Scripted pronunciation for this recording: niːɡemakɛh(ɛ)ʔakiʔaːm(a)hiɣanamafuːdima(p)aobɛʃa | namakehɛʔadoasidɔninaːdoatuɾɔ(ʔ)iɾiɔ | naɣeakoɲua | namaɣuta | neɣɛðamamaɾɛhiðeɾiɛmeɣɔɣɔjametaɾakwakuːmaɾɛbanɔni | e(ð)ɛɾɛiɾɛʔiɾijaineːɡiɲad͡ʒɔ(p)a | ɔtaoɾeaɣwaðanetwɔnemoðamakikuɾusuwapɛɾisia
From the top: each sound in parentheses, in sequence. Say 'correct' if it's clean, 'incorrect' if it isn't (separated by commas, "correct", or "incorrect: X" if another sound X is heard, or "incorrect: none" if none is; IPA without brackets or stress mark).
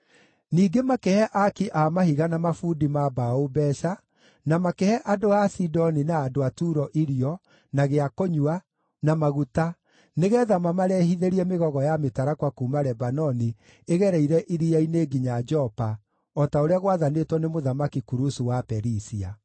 correct, correct, incorrect: b, correct, incorrect: ɣ, correct